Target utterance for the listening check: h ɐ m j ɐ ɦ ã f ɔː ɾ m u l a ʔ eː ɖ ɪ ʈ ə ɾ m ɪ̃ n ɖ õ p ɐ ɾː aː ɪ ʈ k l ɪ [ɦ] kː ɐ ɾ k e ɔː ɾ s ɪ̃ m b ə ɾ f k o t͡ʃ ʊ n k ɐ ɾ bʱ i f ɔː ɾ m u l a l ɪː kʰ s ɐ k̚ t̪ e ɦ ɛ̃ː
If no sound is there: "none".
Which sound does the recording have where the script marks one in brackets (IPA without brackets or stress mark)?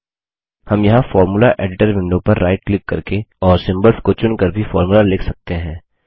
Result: none